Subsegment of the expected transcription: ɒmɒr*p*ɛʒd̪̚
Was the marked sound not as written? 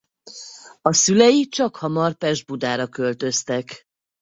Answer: no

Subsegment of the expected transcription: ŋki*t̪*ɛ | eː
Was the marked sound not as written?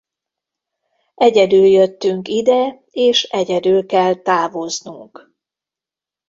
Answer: yes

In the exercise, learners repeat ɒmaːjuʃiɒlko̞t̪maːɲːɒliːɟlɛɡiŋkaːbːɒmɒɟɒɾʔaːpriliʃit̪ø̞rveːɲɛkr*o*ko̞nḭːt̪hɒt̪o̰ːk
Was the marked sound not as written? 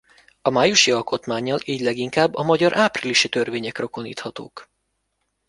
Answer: no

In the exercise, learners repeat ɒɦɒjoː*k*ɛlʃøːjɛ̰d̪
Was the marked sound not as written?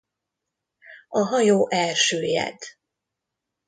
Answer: yes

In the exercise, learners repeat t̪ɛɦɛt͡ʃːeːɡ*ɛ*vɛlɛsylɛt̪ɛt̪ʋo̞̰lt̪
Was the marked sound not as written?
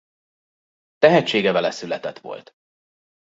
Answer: no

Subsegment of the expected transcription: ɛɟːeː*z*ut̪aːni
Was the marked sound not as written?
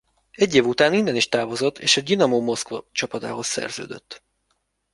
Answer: yes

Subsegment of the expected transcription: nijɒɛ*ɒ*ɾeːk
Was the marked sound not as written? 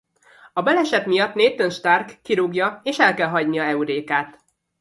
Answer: yes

